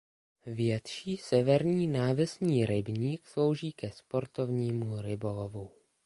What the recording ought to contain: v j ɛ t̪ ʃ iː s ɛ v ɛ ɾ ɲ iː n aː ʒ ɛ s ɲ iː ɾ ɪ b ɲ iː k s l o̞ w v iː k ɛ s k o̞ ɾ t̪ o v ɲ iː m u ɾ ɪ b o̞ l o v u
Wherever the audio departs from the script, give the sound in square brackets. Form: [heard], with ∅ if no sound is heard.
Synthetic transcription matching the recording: v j ɛ t̪ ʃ iː s ɛ v ɛ ɾ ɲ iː n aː [v] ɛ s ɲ iː ɾ ɪ b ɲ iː k s l o̞ w [ʒ] iː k ɛ s [p] o̞ ɾ t̪ o v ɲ iː m u ɾ ɪ b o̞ l o v u